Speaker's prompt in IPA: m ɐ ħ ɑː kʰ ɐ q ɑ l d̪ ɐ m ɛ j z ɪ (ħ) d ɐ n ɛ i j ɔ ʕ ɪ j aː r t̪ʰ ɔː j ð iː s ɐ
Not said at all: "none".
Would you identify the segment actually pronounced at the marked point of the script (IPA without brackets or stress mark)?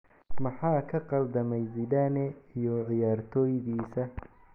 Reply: none